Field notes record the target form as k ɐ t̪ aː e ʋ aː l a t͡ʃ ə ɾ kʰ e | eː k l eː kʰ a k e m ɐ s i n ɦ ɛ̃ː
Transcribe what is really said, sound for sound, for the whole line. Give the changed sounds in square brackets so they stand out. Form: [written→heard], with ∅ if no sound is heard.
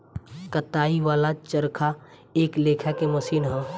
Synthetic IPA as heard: k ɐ t̪ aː [e→i] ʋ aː l a t͡ʃ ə ɾ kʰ [e→a] | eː k l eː kʰ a k e m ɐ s [i→iː] n ɦ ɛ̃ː

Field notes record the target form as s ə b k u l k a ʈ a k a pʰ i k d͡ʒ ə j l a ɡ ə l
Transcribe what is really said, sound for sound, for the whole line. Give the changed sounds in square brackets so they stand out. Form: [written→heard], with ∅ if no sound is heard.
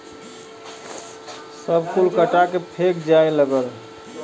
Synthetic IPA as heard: s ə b k u l k [a→ə] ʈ a k [a→e] pʰ [i→e] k d͡ʒ [ə→a] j l [a→ə] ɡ ə l

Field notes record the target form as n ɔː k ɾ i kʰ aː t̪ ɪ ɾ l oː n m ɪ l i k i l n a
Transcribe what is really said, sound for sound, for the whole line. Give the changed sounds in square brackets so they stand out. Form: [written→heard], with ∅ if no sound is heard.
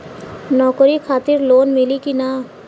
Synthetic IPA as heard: n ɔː k ɾ i kʰ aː t̪ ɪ ɾ l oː n m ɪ l i k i [l→∅] n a

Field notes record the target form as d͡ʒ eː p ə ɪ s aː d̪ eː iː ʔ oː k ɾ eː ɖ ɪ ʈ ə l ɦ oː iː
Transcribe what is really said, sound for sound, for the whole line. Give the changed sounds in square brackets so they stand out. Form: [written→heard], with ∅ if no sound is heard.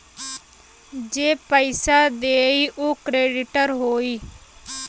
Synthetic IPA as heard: d͡ʒ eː p ə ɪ s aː d̪ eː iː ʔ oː k ɾ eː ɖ ɪ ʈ ə [l→ɾ] ɦ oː iː

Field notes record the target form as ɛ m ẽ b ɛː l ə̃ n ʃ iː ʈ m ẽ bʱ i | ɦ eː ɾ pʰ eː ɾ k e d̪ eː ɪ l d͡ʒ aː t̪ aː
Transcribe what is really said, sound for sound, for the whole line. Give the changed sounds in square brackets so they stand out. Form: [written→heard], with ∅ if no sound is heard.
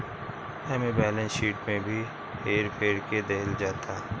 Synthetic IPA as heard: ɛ m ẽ b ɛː l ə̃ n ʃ iː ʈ m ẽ bʱ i | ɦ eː ɾ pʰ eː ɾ k e d̪ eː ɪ l d͡ʒ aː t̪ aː

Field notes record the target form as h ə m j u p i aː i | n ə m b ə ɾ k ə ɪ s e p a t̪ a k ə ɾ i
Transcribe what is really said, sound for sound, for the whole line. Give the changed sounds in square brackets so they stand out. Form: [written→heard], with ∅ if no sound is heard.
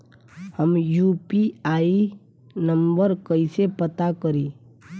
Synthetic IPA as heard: h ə m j u p i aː i | n ə m b ə ɾ k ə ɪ s e p [a→ə] t̪ a k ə ɾ i

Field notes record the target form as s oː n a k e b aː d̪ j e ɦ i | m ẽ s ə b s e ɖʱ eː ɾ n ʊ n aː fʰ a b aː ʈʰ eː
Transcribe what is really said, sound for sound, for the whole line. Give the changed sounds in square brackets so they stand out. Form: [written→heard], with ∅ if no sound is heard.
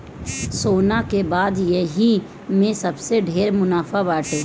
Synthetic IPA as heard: s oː n a k e b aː d̪ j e ɦ i | m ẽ s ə b s e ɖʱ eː ɾ [n→m] ʊ n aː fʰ a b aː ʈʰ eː

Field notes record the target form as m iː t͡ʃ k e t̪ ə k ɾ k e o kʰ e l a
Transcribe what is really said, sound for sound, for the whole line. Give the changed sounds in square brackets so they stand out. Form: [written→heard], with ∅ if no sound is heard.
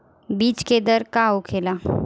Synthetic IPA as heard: [m→b] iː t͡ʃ k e [t̪→d̪] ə [k→∅] ɾ k [e→a] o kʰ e l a

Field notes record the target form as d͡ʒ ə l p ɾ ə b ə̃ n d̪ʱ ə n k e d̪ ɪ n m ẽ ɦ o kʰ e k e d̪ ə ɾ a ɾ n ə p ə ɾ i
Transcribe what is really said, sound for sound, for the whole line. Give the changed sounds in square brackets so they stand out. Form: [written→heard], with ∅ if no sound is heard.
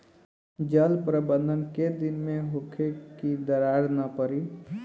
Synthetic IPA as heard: d͡ʒ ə l p ɾ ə b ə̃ n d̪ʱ ə n k e d̪ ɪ n m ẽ ɦ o kʰ e k [e→i] d̪ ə ɾ a ɾ n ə p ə ɾ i

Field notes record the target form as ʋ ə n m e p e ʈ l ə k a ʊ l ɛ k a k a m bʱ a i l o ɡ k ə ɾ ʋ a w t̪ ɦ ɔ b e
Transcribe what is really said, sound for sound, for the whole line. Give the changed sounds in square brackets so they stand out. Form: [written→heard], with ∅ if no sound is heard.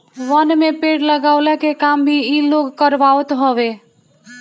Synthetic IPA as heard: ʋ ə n m e p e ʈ l ə [k→ɡ] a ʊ l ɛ k [a→e] k a m bʱ [a→i] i l o ɡ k ə ɾ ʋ a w t̪ ɦ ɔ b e

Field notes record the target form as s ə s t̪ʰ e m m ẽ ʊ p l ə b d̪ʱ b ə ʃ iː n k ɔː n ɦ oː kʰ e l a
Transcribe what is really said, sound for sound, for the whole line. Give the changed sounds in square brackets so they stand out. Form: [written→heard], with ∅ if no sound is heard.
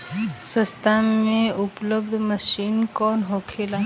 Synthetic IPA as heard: s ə s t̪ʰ [e→a] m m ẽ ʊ p l ə b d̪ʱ [b→m] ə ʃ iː n k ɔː n ɦ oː kʰ e l a

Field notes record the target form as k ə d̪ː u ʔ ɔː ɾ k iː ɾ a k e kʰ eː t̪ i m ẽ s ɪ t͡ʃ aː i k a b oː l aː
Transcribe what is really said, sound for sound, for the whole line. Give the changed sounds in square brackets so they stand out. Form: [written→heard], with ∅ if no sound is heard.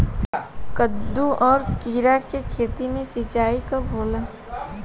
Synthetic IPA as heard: k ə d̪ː u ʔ ɔː ɾ k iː ɾ a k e kʰ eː t̪ i m ẽ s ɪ t͡ʃ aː i k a b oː l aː

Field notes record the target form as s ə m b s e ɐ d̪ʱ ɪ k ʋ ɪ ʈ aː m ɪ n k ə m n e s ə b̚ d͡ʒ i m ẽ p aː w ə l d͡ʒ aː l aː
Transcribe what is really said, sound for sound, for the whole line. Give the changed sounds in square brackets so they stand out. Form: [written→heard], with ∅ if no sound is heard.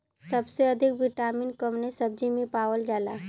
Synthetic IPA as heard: s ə [m→∅] b s e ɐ d̪ʱ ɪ k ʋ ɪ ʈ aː m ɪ n k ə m n e s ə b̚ d͡ʒ i m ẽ p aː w ə l d͡ʒ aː l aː

